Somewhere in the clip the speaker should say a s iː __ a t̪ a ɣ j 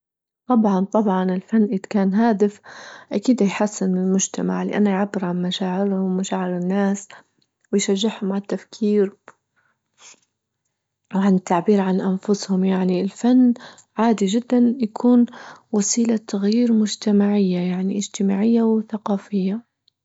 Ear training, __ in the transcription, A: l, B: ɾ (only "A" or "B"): A